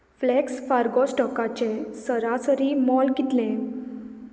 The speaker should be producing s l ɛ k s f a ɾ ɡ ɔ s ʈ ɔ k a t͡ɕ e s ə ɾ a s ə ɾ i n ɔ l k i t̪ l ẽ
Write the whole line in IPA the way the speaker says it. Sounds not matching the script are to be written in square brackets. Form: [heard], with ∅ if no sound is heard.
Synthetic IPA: [f] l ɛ k s f a ɾ ɡ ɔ s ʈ ɔ k a t͡ɕ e s ə ɾ a s ə ɾ i [m] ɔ l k i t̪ l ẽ